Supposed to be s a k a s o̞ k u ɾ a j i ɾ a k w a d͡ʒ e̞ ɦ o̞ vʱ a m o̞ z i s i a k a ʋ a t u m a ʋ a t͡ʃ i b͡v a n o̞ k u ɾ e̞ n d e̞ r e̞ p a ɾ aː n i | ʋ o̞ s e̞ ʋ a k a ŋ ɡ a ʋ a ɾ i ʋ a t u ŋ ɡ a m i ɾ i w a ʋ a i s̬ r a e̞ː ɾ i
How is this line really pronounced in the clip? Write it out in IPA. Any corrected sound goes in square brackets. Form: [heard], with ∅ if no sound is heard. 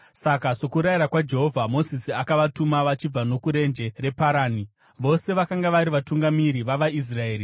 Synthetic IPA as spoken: s a k a s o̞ k u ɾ a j i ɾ a k w a d͡ʒ e̞ ɦ o̞ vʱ a m o̞ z i s i a k a ʋ a t u m a ʋ a t͡ʃ i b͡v a n o̞ k u ɾ e̞ n [d͡ʒ] e̞ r e̞ p a ɾ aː n i | ʋ o̞ s e̞ ʋ a k a ŋ ɡ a ʋ a ɾ i ʋ a t u ŋ ɡ a m i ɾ i [ʋ] a ʋ a i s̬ r a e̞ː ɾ i